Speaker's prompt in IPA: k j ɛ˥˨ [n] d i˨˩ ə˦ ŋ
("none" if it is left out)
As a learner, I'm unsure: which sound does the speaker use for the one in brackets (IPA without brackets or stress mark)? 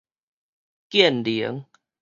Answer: n